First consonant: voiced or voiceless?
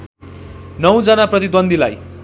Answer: voiced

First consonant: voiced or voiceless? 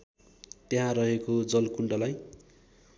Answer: voiceless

